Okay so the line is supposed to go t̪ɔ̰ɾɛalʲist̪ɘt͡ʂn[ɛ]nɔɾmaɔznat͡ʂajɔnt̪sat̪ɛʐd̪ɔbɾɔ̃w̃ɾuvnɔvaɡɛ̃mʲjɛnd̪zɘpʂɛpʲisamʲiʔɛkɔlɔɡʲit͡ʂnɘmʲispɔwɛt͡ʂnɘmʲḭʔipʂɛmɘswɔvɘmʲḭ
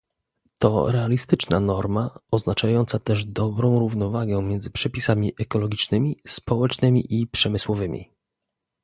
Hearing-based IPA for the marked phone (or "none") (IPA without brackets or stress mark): a